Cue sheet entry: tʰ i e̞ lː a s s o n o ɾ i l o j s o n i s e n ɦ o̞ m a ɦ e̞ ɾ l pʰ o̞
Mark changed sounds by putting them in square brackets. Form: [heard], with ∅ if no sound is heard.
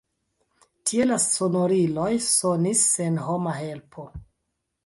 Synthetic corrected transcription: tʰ i e̞ [l] a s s o n o ɾ i l o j s o n i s e n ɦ o̞ m a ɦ e̞ [∅] l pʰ o̞